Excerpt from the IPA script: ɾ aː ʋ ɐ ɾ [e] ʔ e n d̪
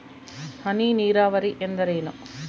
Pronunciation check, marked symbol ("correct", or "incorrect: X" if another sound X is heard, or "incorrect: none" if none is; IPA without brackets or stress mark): incorrect: i